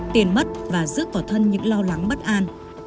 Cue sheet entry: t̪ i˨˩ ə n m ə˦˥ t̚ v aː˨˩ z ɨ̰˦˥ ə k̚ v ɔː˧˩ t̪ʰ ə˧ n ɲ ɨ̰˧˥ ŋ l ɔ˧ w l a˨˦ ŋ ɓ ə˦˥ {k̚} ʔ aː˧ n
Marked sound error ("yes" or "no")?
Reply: yes